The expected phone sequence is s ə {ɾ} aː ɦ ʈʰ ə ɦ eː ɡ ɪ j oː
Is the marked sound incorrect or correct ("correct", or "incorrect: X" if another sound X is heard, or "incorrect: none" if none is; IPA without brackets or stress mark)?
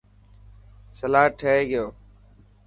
incorrect: l